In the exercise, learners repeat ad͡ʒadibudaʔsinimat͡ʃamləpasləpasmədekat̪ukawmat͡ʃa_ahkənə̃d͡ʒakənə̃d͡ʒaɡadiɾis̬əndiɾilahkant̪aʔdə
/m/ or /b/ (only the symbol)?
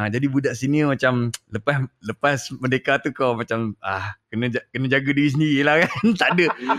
m